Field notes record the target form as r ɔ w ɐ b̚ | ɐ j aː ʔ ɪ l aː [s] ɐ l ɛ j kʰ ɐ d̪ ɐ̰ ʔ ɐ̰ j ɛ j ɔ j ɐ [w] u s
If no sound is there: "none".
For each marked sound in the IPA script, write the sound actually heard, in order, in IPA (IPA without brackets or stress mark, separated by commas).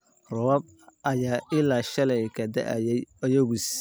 ʃ, ɣ